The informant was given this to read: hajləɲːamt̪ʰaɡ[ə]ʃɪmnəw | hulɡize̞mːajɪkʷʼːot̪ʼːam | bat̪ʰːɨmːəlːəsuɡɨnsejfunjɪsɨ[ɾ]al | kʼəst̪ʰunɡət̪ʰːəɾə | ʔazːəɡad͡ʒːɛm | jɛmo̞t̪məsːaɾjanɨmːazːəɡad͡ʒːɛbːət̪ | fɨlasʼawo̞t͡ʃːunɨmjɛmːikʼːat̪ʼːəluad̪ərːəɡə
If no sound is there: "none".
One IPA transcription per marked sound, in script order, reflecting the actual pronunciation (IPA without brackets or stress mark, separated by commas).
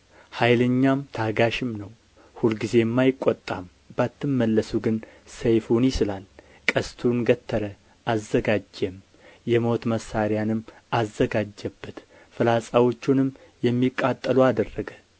a, l